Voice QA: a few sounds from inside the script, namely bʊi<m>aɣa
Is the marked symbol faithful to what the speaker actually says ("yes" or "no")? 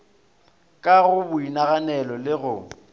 no